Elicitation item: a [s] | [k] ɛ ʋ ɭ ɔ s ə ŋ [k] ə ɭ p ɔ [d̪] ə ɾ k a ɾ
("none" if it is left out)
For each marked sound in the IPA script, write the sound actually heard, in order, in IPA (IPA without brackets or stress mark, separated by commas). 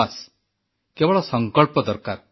s, k, k, d̪